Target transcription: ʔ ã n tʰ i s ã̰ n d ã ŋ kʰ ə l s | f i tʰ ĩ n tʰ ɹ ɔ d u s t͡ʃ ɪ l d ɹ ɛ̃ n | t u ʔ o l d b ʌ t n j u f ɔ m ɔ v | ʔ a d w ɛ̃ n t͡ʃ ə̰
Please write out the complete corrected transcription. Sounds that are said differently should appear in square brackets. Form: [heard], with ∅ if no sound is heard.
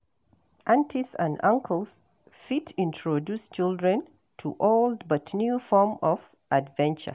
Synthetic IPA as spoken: ʔ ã n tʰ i s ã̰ n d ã ŋ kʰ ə l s | f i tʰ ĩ n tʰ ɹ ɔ d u s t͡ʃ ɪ l d ɹ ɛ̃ n | [tʰ] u ʔ o l d b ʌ t n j u f ɔ m ɔ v | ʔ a d [v] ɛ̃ n t͡ʃ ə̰